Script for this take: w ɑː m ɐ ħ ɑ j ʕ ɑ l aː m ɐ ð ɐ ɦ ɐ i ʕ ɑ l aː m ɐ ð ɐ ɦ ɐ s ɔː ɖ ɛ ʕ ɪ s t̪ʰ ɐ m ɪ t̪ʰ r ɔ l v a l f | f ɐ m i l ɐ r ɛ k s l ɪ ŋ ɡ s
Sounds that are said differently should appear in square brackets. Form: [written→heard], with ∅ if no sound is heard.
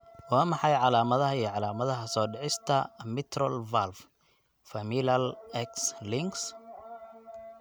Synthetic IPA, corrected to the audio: w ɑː m [ɐ→ɑ] ħ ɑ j ʕ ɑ l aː m ɐ ð ɐ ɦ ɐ i ʕ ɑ l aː m ɐ ð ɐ ɦ ɐ s ɔː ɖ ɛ ʕ ɪ s t̪ʰ ɐ m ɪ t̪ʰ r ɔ l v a l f | f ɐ m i l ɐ [r→l] ɛ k s l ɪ ŋ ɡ s